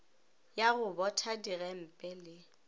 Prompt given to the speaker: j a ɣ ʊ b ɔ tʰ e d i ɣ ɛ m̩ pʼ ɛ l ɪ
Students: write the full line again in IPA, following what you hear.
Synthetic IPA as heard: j a ɣ ʊ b ɔ tʰ a d i ɣ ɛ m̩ pʼ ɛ l ɪ

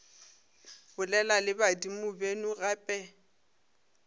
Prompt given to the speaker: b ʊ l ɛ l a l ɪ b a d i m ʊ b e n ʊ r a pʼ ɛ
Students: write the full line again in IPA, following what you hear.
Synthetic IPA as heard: b ʊ l ɛ l a l ɪ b a d i m ʊ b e n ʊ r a pʼ ɛ

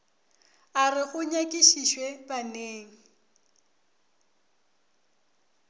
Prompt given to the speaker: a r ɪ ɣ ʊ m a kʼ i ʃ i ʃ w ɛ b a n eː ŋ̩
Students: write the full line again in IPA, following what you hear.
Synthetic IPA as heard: a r ɪ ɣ ʊ ɲ a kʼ i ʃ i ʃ w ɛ b a n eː ŋ̩

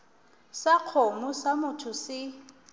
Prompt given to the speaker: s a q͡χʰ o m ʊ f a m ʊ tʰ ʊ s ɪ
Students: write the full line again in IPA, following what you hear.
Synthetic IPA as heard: s a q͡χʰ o m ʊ s a m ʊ tʰ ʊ s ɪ

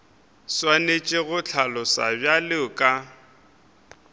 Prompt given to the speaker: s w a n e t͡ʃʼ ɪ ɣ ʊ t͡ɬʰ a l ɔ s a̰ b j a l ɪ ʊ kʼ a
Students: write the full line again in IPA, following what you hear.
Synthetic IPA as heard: s w a n e t͡ʃʼ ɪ ɣ ʊ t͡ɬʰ a l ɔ s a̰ b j a l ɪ ʊ kʼ a

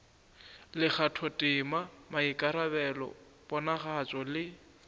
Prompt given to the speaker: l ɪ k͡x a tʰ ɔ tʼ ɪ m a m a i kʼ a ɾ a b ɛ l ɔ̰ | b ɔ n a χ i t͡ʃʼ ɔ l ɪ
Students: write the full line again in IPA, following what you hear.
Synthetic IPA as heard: l ɪ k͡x a tʰ ɔ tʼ ɪ m a m a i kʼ a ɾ a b ɛ l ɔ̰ | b ɔ n a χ a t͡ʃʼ ɔ l ɪ

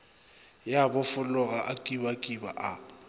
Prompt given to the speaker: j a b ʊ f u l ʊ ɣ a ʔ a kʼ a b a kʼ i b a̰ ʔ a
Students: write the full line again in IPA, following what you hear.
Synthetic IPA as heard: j a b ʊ f ʊ l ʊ ɣ a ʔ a kʼ i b a kʼ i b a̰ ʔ a

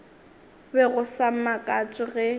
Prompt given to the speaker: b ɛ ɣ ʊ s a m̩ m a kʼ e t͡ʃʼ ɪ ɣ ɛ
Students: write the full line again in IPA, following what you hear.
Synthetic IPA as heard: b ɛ ɣ ʊ s a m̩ m a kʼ a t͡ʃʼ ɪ ɣ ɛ

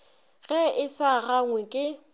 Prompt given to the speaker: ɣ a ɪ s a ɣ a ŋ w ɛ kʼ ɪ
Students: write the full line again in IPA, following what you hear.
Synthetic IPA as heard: ɣ ɛ ɪ s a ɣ a ŋ w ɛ kʼ ɪ

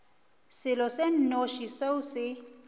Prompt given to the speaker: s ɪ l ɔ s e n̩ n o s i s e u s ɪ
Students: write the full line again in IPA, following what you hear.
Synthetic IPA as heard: s ɪ l ɔ s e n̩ n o ʃ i s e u s ɪ

